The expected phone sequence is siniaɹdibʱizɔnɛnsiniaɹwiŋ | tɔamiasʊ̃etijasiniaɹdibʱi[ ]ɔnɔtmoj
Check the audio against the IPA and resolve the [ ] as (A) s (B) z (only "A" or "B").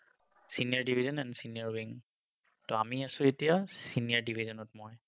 B